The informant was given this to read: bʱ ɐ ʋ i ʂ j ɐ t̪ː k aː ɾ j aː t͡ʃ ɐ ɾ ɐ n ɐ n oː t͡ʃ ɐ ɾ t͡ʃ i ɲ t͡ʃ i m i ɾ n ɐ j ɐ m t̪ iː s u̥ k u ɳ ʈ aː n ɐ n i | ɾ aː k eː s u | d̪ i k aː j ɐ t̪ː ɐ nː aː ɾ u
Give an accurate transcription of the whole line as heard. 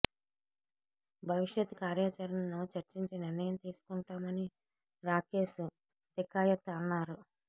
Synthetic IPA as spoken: bʱ ɐ ʋ i ʂ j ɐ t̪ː k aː ɾ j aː t͡ʃ ɐ ɾ ɐ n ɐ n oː t͡ʃ ɐ ɾ t͡ʃ i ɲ t͡ʃ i n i ɾ n ɐ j ɐ m t̪ iː s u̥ k u ɳ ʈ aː m ɐ n i | ɾ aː k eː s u | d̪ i k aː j ɐ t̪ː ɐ nː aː ɾ u